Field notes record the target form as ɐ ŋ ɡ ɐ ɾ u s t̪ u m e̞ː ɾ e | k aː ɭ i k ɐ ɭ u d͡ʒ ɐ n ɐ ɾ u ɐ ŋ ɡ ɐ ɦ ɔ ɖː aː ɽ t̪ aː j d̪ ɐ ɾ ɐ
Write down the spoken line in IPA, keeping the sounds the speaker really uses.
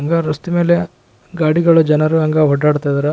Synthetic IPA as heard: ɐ ŋ ɡ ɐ ɾ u s t̪ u m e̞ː l e | ɡ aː ɽ i ɡ ɐ ɭ u d͡ʒ ɐ n ɐ ɾ u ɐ ŋ ɡ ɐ ɦ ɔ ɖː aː ɽ t̪ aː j d̪ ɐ ɾ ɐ